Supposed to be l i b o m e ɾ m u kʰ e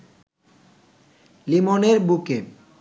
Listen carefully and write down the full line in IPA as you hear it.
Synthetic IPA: l i m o n e ɾ b u k e

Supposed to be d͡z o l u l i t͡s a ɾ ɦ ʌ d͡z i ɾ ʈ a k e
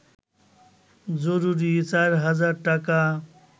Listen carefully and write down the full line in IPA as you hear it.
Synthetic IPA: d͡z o ɾ u ɾ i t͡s a ɾ ɦ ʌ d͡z a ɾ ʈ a k a

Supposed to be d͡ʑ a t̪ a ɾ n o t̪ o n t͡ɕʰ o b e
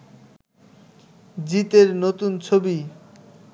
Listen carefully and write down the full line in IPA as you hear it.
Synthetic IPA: d͡ʑ i t̪ e ɾ n o t̪ u n t͡ɕʰ o b i

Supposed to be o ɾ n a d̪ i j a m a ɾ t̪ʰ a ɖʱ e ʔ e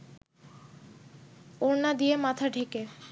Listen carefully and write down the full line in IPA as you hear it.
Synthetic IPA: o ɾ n a d̪ i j e m a t̪ʰ a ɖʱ e k e

